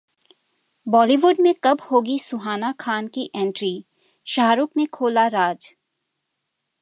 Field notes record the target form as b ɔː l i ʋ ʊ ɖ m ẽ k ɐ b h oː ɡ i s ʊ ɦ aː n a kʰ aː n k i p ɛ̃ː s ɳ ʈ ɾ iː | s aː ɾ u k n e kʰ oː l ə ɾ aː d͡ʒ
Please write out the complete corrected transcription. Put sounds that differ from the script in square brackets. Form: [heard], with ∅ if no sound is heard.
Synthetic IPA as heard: b ɔː l i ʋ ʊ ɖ m ẽ k ɐ b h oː ɡ i s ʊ ɦ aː n a kʰ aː n k i [ʔ] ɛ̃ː [∅] ɳ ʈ ɾ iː | [ʃ] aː ɾ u k n e kʰ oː l [a] ɾ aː d͡ʒ